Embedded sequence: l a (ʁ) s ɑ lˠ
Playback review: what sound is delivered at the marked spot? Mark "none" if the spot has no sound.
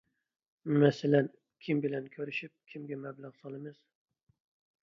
ʁ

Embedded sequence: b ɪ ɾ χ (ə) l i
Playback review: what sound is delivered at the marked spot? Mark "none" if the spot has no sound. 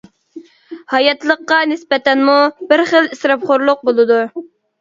ə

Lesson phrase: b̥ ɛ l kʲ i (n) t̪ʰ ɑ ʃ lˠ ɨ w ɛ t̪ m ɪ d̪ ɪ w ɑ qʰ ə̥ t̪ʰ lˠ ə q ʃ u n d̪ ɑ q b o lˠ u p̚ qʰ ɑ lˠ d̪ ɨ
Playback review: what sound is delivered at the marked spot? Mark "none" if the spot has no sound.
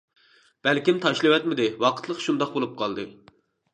m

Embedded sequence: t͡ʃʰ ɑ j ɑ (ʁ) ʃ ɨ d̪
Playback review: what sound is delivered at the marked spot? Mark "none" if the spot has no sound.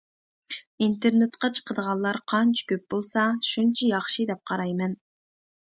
χ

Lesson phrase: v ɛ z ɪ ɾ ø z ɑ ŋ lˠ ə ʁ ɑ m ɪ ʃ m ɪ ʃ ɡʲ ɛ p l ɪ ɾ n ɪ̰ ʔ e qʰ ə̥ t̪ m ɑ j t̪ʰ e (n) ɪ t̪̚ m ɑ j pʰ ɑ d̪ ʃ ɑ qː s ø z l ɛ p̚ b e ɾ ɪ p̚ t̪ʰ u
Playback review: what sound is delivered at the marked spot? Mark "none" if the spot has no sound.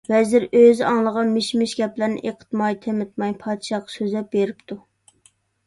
m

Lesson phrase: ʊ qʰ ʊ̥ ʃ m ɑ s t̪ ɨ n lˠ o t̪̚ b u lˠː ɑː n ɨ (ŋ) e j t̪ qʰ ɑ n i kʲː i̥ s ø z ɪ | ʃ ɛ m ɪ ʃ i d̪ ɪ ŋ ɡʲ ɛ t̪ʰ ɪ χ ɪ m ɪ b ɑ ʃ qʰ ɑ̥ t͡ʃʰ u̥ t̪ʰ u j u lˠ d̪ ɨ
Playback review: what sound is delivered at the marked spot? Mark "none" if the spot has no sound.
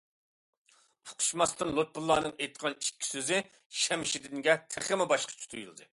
ŋ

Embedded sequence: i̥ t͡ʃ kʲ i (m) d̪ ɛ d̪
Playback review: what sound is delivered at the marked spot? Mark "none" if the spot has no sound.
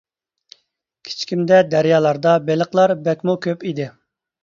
m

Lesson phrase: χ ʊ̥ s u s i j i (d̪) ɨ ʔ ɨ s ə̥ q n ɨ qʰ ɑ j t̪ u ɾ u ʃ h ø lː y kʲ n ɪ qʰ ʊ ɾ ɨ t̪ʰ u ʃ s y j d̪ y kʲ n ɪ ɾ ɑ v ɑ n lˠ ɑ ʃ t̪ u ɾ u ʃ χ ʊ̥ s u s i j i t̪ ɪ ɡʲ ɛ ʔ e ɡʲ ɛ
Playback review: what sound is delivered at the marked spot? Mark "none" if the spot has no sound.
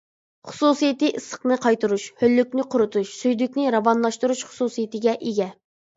t̪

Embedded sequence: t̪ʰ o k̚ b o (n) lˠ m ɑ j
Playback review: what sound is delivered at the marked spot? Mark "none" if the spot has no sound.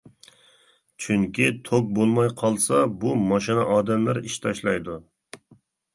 none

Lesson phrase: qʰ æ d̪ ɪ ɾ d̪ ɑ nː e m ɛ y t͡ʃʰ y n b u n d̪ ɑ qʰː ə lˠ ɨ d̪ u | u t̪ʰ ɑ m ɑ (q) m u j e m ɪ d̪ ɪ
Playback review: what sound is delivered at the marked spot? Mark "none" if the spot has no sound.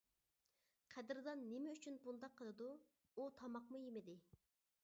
q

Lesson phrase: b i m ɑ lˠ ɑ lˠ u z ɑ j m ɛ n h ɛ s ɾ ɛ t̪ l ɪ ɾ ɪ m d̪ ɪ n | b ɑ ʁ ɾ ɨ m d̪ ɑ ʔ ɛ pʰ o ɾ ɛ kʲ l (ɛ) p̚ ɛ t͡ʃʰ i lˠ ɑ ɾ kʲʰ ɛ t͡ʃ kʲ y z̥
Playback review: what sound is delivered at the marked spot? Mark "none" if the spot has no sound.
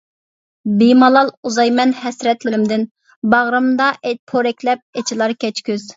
ɛ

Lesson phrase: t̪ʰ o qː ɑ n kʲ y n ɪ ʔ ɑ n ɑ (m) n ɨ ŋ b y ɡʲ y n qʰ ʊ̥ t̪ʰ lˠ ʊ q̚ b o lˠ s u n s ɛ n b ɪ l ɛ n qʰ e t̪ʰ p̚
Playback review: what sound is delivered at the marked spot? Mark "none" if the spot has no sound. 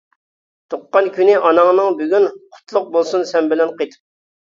ŋ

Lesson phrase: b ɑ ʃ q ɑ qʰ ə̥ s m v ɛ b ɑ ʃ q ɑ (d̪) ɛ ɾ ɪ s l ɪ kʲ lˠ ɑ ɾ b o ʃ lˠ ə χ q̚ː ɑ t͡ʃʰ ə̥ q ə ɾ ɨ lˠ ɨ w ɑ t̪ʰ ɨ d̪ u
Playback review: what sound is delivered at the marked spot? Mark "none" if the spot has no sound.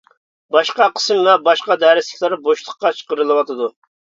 d̪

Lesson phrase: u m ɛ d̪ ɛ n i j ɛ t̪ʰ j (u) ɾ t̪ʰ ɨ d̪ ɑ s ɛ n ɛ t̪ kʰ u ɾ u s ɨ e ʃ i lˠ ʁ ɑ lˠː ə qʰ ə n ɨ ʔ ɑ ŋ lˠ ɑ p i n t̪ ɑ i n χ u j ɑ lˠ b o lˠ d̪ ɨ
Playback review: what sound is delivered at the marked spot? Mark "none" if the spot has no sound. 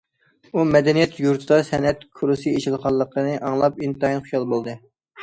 u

